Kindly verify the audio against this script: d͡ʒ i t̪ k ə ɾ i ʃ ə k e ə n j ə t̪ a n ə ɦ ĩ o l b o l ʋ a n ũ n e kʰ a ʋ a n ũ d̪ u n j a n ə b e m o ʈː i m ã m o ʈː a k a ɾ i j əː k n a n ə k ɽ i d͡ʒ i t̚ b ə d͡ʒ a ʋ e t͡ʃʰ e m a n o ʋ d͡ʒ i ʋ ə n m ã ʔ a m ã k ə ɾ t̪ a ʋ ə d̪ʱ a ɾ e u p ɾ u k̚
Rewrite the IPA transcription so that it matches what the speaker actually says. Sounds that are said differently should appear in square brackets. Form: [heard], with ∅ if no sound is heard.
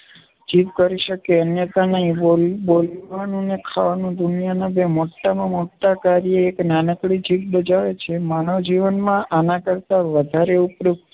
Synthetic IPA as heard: d͡ʒ i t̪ k ə ɾ i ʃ ə k e ə n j ə t̪ a n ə ɦ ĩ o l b o l ʋ a n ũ n e kʰ a ʋ a n ũ d̪ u n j a n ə b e m o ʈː [a] m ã m o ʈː a k a ɾ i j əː k n a n ə k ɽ i d͡ʒ i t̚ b ə d͡ʒ a ʋ e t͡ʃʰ e m a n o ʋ d͡ʒ i ʋ ə n m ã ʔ a [n] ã k ə ɾ t̪ a ʋ ə d̪ʱ a ɾ e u p ɾ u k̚